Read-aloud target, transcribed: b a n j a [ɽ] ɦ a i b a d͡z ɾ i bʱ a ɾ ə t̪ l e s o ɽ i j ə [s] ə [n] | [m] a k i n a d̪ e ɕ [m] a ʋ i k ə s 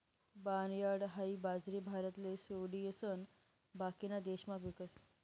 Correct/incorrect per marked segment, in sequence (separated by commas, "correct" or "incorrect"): correct, correct, correct, incorrect, correct